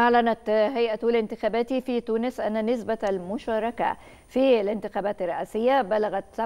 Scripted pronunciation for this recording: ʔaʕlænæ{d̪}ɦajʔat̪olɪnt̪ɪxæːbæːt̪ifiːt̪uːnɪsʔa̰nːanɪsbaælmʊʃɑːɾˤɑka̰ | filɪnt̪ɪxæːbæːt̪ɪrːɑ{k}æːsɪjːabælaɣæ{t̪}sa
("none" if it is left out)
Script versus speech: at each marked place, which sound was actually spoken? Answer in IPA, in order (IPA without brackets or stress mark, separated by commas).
t̪, ʔ, t̪